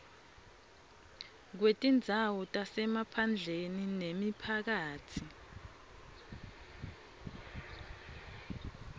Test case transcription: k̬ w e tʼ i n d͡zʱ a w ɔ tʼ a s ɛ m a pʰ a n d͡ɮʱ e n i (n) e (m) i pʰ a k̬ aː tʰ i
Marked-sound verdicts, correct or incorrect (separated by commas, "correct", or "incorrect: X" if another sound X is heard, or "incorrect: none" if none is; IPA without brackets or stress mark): correct, correct